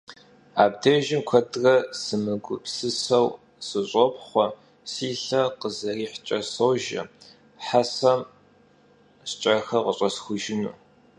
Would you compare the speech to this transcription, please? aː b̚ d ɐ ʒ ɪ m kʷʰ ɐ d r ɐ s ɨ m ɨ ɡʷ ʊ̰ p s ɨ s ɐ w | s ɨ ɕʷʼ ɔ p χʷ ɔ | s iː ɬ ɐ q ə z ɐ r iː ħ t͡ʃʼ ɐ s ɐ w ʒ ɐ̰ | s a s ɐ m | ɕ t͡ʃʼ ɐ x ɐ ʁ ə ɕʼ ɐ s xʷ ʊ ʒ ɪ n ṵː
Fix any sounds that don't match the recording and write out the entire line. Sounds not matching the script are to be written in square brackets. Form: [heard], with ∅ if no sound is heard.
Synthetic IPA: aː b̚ d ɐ ʒ ɪ m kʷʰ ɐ d r ɐ s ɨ m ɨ ɡʷ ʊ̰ p s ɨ s ɐ w | s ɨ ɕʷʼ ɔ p χʷ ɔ | s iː ɬ ɐ q ə z ɐ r iː ħ t͡ʃʼ ɐ s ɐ w ʒ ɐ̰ | [ħ] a s ɐ m | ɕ t͡ʃʼ ɐ x ɐ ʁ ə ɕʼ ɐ s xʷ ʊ ʒ ɪ n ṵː

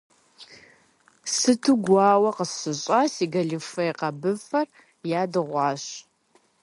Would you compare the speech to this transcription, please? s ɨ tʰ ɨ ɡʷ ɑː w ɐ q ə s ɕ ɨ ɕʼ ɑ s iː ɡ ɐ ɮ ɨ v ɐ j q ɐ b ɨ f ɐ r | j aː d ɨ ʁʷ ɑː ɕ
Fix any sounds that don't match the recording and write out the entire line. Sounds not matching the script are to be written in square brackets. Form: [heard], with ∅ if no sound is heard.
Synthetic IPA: s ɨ tʰ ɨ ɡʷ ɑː w ɐ q ə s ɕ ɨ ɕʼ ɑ s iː ɡ ɐ ɮ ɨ [f] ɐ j q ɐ b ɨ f ɐ r | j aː d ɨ ʁʷ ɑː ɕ

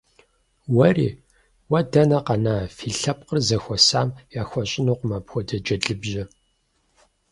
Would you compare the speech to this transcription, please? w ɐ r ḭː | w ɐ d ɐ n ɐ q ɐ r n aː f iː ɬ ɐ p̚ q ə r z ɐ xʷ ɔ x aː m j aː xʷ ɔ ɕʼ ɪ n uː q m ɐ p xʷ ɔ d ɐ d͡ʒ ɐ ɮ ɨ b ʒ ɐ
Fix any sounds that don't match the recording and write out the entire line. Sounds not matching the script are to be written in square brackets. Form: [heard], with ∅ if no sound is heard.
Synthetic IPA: w ɐ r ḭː | w ɐ d ɐ n ɐ q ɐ [∅] n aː f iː ɬ ɐ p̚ q ə r z ɐ xʷ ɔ [s] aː m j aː xʷ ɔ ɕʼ ɪ n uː q m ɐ p xʷ ɔ d ɐ d͡ʒ ɐ ɮ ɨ b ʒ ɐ

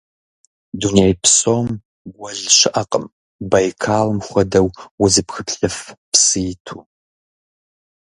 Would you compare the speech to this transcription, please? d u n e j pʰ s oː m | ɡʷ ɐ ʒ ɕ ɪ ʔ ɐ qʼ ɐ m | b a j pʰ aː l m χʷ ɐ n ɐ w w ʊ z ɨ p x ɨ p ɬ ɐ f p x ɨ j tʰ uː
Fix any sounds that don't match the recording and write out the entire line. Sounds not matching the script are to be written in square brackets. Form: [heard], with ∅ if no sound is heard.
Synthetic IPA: d u n e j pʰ s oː m | ɡʷ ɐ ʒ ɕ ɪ ʔ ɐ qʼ [ə] m | b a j [kʰ] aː l m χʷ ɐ [d] ɐ w w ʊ z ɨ p x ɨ p ɬ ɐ f p [s] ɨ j tʰ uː

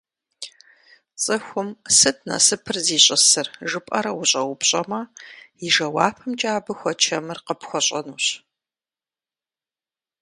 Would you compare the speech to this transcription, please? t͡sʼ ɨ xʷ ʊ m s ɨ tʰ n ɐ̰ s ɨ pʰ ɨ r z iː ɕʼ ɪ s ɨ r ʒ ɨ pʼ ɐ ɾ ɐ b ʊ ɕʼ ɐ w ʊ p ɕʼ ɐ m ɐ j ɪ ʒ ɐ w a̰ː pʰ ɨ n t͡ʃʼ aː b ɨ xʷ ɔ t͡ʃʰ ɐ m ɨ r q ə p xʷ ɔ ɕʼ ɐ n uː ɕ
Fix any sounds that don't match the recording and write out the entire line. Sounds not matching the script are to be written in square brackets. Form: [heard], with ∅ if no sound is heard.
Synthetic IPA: t͡sʼ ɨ xʷ ʊ m s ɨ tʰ n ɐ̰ s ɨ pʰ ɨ r z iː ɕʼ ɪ s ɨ r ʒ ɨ pʼ ɐ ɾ ɐ [w] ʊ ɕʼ ɐ w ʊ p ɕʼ ɐ m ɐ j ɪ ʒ ɐ w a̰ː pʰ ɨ [m] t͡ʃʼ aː b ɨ xʷ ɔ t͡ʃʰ ɐ m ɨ r q ə p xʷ ɔ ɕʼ ɐ n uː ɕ

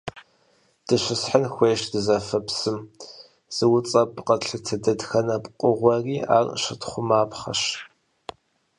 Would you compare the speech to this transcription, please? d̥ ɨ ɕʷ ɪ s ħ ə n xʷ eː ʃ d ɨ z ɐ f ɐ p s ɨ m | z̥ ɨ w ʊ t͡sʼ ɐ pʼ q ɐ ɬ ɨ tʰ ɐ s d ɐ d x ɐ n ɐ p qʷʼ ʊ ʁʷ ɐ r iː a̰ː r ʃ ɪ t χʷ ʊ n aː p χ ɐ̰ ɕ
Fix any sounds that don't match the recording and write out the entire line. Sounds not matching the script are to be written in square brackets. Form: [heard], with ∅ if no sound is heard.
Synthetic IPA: d̥ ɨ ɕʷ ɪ s ħ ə n xʷ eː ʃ d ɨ z ɐ f ɐ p s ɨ m | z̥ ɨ w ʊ t͡sʼ ɐ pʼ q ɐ ɬ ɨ tʰ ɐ [∅] d ɐ d x ɐ n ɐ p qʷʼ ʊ ʁʷ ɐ r iː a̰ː r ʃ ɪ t χʷ ʊ [m] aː p χ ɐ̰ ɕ

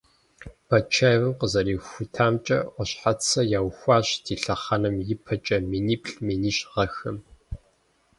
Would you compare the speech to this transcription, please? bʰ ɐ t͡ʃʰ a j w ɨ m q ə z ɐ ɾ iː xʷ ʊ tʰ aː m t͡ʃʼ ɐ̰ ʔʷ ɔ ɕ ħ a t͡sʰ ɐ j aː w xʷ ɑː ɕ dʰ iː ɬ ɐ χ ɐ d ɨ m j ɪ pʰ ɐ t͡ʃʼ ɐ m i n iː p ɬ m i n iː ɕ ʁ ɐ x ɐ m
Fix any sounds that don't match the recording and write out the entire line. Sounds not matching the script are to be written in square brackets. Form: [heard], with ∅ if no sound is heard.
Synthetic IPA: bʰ ɐ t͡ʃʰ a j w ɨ m q ə z ɐ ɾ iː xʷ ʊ tʰ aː m t͡ʃʼ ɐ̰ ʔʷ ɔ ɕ ħ a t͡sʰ ɐ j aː w xʷ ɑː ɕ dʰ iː ɬ ɐ χ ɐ [n] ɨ m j ɪ pʰ ɐ t͡ʃʼ ɐ m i n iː p ɬ m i n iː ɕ ʁ ɐ x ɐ m

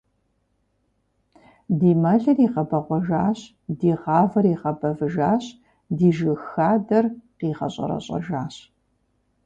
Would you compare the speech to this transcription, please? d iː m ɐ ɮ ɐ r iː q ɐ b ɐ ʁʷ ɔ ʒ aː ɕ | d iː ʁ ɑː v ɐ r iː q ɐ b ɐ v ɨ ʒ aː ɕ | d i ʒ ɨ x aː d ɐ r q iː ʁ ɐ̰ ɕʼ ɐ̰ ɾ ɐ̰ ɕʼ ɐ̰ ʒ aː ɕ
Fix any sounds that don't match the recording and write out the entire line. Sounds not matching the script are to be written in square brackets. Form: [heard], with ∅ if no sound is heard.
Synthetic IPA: d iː m ɐ ɮ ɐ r iː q ɐ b ɐ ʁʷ ɔ ʒ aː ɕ | d iː ʁ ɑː v ɐ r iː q ɐ b ɐ v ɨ ʒ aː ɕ | d [iː] ʒ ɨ x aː d ɐ r q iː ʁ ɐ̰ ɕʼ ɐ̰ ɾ ɐ̰ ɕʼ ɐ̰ ʒ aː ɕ

